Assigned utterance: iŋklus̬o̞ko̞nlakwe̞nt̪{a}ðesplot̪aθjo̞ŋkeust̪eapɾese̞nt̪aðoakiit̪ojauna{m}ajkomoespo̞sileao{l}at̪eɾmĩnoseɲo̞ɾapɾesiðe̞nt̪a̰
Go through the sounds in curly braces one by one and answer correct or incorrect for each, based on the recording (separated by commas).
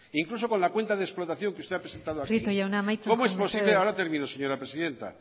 correct, correct, incorrect